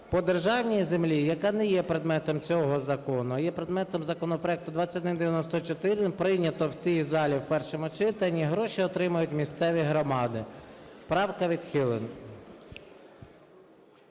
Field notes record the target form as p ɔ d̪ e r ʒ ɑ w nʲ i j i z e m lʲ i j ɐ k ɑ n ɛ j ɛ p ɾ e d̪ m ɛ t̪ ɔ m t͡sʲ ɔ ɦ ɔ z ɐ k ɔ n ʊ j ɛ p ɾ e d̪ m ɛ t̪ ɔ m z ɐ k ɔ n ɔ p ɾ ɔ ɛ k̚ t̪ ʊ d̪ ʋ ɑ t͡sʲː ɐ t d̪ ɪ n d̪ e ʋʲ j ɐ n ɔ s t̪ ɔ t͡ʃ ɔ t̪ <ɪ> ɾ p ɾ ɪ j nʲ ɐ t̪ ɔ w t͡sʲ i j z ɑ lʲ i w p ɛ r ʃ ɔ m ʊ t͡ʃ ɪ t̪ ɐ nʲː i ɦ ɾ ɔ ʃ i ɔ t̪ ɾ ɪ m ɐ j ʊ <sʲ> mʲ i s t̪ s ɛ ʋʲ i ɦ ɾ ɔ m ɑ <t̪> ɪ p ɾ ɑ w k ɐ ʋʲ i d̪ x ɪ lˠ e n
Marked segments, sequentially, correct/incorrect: correct, incorrect, incorrect

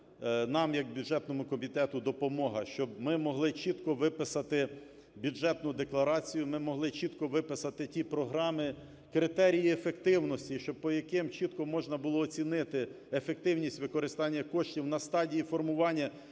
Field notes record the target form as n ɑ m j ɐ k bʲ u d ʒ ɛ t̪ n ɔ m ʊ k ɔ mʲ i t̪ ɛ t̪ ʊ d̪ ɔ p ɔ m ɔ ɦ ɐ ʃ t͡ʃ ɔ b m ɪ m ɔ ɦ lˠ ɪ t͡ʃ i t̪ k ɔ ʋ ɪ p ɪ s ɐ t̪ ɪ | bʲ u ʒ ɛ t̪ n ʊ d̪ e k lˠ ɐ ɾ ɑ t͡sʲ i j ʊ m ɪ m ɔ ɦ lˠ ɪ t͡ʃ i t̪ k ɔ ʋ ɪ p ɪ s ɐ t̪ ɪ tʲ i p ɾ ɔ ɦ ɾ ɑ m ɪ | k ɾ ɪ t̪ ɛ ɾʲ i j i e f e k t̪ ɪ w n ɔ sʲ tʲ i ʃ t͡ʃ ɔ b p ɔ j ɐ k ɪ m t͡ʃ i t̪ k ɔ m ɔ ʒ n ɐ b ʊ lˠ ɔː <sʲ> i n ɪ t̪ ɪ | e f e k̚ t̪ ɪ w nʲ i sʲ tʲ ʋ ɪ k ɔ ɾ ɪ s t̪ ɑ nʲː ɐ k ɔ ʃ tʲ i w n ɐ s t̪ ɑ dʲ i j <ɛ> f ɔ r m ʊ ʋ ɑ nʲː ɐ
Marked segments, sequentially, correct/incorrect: incorrect, incorrect

